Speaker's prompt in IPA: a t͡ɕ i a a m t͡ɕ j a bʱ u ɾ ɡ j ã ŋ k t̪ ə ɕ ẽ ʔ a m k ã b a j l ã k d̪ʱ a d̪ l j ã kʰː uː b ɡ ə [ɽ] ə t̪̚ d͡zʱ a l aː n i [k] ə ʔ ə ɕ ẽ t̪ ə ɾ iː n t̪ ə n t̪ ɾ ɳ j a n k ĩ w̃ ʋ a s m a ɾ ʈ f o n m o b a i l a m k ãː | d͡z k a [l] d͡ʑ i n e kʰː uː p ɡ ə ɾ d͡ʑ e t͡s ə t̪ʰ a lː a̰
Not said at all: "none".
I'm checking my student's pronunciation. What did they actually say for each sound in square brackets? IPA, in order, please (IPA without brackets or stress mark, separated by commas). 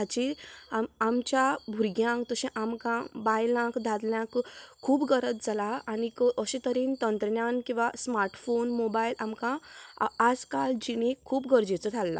ɾ, k, l